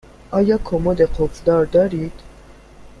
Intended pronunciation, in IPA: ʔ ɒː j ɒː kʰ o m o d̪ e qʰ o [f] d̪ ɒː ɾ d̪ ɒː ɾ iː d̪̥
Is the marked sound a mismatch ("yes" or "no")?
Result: no